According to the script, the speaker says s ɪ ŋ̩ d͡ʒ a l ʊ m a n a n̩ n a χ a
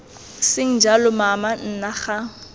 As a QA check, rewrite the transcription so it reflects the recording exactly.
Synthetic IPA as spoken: s ɪ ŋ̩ d͡ʒ a l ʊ m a m a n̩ n a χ a